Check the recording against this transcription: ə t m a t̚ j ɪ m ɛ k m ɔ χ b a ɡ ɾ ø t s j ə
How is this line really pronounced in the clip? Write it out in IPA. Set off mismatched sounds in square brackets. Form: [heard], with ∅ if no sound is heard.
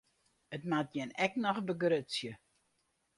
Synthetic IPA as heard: ə t m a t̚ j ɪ [n] ɛ k [n] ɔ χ b [ə] ɡ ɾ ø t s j ə